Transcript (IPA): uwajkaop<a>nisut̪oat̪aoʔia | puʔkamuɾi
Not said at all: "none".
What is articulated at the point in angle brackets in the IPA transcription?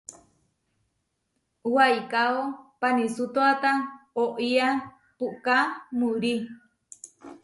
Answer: a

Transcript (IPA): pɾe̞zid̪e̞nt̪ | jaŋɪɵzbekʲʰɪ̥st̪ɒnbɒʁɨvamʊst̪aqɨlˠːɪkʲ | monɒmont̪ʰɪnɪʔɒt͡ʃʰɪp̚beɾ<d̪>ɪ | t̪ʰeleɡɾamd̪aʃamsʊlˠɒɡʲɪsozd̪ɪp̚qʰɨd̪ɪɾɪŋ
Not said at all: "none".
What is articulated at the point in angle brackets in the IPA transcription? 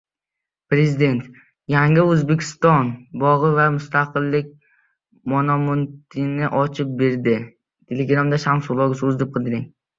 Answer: d̪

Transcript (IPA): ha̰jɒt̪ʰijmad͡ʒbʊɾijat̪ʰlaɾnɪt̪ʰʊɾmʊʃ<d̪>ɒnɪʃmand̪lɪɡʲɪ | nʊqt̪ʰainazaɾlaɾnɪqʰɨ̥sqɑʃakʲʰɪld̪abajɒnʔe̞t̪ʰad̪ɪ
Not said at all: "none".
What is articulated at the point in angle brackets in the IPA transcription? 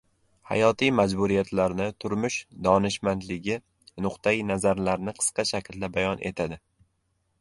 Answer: d̪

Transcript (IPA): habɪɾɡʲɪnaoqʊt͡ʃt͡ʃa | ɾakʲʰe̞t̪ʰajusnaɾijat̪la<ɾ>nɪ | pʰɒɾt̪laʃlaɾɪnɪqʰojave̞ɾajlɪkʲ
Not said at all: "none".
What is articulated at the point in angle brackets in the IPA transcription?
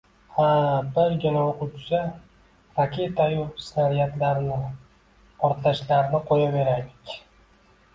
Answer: ɾ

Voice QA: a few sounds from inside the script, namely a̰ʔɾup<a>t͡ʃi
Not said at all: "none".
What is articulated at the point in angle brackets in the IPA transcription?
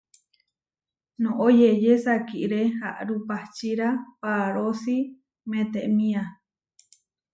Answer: a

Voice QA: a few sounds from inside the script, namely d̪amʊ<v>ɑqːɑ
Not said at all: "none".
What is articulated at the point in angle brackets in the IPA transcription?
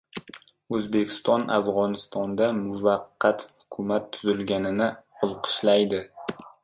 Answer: v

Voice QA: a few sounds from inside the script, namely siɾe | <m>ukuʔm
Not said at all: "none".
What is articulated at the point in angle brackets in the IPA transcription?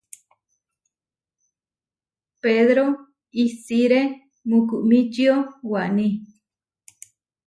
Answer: m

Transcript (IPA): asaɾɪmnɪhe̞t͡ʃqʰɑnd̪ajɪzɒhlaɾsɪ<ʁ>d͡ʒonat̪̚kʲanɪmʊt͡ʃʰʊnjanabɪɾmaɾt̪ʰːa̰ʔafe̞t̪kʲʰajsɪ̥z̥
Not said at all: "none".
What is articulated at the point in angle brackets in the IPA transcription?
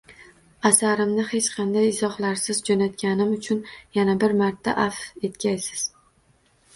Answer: z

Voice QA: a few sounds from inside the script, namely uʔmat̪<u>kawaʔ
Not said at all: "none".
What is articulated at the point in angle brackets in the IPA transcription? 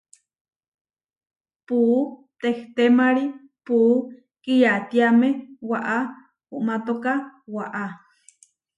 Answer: o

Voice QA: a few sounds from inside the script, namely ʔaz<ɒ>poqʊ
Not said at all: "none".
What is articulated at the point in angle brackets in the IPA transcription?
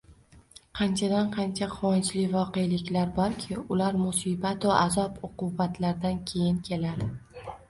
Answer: ɒ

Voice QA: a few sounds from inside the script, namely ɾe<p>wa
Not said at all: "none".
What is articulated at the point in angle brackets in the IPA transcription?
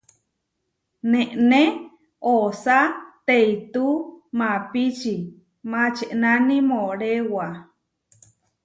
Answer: none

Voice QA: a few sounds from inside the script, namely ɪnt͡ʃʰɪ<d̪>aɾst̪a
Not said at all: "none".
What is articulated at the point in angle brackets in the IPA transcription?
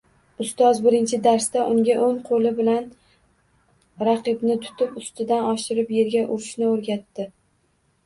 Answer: d̪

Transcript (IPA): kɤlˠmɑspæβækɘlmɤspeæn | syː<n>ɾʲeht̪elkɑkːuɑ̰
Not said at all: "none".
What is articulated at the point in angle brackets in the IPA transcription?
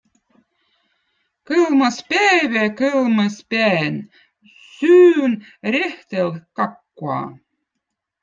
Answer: n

